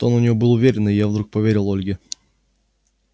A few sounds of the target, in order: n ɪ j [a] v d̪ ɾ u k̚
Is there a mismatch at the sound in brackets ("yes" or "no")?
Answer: no